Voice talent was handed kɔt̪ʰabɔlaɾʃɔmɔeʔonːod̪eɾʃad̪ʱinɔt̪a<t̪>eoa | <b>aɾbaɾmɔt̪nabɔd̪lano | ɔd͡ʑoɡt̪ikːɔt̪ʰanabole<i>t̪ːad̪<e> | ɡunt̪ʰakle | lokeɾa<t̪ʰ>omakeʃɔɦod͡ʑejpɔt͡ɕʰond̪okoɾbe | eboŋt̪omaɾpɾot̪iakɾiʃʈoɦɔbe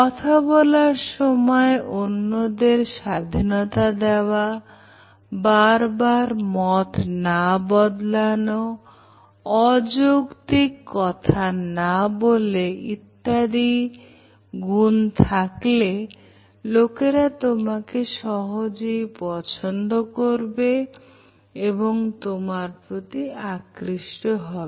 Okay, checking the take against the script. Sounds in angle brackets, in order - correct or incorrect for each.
incorrect, correct, correct, incorrect, incorrect

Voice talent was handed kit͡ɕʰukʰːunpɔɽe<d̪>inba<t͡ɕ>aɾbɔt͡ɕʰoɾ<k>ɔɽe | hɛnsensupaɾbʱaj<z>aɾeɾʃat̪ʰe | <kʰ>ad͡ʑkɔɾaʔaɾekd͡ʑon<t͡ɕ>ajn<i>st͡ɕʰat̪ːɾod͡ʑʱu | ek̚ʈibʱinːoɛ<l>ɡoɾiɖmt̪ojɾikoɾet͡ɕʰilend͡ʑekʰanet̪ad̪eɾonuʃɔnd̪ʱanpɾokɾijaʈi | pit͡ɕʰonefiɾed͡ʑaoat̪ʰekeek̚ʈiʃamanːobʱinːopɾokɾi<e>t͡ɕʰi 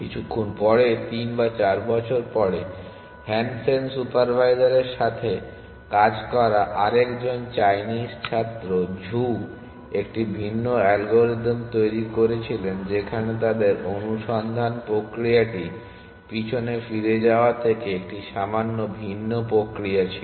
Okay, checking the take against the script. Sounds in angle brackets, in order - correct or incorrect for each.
incorrect, correct, incorrect, correct, incorrect, correct, correct, correct, incorrect

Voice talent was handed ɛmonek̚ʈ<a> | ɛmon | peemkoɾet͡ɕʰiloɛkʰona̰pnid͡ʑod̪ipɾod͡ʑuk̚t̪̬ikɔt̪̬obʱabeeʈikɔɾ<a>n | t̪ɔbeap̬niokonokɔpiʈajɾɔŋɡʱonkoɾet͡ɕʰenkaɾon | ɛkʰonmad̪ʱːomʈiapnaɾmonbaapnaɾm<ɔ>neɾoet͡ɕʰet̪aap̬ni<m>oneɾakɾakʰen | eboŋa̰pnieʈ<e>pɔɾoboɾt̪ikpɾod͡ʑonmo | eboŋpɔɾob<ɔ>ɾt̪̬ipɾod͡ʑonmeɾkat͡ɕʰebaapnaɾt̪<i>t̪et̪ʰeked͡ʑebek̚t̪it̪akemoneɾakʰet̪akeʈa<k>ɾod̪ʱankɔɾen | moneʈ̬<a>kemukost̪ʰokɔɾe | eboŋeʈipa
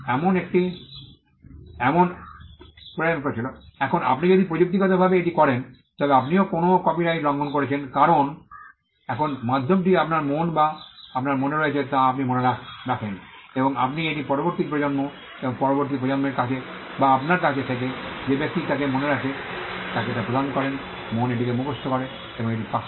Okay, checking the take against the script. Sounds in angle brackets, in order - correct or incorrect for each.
incorrect, incorrect, incorrect, correct, incorrect, incorrect, incorrect, incorrect, incorrect

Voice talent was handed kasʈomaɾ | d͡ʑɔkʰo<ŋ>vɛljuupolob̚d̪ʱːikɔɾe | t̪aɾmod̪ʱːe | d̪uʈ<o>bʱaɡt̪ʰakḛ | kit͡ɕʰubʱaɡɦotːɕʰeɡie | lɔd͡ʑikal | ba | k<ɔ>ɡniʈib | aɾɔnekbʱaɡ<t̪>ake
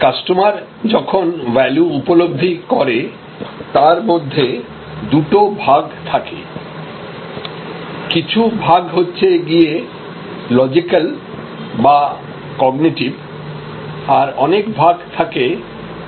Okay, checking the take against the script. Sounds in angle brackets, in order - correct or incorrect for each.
incorrect, correct, correct, incorrect

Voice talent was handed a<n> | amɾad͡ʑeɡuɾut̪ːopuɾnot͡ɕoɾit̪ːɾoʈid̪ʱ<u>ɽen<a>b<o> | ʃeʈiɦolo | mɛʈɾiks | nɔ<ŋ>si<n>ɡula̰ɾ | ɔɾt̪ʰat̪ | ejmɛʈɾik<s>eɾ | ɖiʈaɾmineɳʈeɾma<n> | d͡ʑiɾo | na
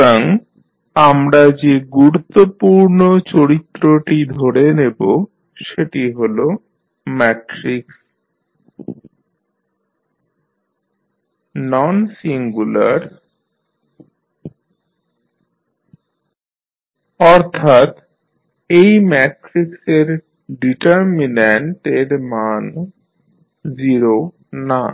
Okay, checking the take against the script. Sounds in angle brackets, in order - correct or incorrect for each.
incorrect, incorrect, incorrect, correct, incorrect, incorrect, correct, correct

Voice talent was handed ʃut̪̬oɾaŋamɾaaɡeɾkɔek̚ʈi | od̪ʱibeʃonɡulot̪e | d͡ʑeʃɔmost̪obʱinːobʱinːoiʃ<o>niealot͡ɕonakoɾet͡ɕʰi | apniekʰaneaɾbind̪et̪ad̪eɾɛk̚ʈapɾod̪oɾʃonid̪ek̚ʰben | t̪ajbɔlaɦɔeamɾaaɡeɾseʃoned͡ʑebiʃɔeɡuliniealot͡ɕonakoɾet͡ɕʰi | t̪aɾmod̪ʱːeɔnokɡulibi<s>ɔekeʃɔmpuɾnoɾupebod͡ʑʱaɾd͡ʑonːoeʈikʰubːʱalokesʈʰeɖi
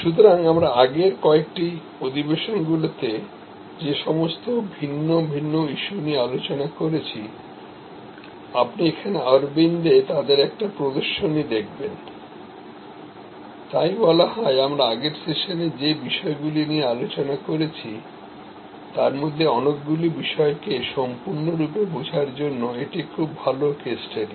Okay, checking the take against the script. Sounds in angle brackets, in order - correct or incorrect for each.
incorrect, incorrect

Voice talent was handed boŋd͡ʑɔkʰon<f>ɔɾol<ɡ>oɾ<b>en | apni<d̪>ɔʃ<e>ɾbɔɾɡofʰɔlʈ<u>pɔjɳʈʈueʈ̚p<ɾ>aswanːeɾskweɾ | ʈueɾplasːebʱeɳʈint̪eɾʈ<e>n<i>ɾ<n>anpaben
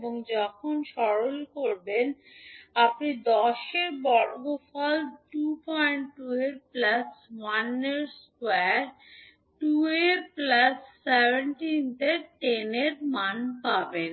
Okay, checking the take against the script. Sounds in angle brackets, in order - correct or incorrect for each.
incorrect, incorrect, correct, correct, correct, correct, incorrect, correct, incorrect, incorrect

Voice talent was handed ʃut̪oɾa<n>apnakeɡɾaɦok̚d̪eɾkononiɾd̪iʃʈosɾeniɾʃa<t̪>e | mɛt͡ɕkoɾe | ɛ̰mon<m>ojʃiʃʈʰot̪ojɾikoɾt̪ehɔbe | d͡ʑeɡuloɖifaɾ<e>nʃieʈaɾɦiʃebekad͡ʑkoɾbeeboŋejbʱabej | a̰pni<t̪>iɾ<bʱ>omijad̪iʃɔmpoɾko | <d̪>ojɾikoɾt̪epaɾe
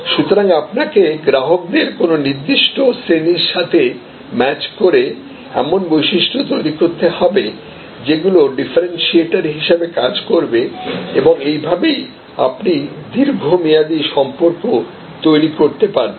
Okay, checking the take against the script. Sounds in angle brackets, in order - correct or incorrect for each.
incorrect, incorrect, incorrect, correct, incorrect, incorrect, incorrect

